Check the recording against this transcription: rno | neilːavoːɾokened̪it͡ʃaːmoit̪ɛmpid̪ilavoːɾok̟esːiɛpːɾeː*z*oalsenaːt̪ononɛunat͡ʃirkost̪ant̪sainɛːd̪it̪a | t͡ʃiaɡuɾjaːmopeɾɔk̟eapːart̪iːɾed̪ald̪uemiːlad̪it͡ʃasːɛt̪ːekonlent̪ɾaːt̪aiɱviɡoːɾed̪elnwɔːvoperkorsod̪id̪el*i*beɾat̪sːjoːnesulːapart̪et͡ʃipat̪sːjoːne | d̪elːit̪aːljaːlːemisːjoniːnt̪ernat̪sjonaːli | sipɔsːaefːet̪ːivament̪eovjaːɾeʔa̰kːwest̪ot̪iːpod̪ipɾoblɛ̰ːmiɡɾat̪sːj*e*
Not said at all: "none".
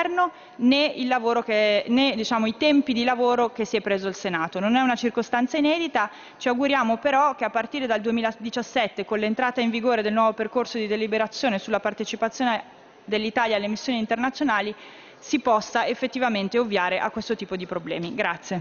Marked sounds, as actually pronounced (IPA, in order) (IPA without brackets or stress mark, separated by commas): z, i, e